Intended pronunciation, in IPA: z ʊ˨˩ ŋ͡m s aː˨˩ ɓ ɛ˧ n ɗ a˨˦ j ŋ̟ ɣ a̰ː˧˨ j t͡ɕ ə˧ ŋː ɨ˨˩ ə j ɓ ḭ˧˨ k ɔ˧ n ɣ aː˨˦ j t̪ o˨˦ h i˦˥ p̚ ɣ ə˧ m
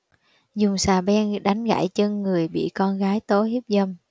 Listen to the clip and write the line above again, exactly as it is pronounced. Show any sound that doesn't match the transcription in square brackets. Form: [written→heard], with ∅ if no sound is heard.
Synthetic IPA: z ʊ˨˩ ŋ͡m s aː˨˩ ɓ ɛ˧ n ɗ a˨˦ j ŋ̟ ɣ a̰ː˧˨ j t͡ɕ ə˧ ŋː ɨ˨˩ ə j ɓ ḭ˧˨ k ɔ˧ n ɣ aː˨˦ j t̪ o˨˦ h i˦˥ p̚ [ɣ→z] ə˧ m